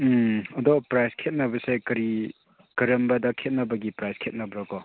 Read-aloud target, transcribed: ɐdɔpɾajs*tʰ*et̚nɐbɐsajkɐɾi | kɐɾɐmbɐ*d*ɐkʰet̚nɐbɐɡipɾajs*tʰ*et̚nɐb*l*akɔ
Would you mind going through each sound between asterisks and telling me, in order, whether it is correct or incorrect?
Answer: incorrect: kʰ, correct, incorrect: kʰ, incorrect: ɾ

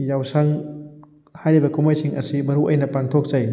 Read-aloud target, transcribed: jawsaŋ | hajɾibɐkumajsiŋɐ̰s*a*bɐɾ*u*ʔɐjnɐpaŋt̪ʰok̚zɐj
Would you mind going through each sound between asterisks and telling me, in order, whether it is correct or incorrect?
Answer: incorrect: i, correct

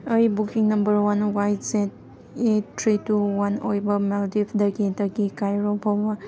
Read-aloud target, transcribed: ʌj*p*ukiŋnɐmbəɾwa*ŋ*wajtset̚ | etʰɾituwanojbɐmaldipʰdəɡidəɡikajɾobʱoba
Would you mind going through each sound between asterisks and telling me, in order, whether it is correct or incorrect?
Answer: incorrect: b, incorrect: n

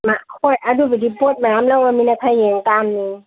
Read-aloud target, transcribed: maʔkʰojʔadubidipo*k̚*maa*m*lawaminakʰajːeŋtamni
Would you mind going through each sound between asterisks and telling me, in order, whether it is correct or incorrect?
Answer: incorrect: t̚, correct

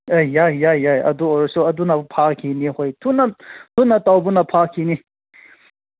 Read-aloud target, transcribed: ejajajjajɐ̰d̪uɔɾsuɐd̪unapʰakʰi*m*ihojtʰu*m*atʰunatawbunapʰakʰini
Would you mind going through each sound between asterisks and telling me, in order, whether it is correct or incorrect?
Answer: incorrect: n, incorrect: n

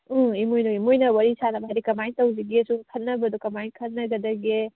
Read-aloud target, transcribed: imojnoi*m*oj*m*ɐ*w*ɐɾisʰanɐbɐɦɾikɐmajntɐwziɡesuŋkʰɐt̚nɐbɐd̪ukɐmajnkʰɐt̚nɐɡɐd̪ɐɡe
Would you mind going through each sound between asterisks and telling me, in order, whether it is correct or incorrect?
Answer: correct, incorrect: n, correct

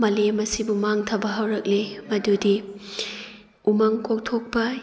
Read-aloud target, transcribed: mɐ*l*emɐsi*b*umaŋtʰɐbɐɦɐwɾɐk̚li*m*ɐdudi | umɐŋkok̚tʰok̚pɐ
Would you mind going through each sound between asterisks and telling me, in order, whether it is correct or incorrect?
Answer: correct, correct, correct

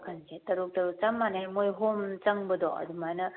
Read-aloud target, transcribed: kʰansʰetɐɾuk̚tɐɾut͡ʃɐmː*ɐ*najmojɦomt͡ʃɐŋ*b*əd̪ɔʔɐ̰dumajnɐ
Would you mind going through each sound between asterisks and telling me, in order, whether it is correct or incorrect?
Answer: incorrect: a, correct

